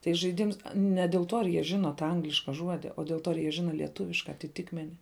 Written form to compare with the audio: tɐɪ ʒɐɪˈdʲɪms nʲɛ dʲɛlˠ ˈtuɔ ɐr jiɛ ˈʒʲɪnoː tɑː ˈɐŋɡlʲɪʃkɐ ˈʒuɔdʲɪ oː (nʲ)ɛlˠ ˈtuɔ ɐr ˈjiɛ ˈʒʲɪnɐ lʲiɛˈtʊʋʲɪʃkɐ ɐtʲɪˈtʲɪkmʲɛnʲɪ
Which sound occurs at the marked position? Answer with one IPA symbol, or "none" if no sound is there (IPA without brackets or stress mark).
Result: dʲ